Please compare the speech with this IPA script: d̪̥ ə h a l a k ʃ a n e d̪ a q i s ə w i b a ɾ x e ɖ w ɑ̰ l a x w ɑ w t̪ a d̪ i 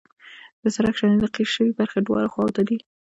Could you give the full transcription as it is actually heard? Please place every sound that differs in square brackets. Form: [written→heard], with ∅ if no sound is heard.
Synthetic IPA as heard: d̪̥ ə [h→s] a [l→ɾ] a k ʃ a n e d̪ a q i [s→ʃ] ə w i b a ɾ x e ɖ w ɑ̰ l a x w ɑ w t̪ a d̪ i